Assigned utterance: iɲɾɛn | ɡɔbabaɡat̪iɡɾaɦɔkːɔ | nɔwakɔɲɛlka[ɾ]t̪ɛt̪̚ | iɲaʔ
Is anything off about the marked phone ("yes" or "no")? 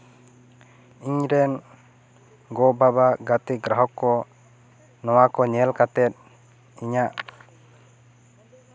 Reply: yes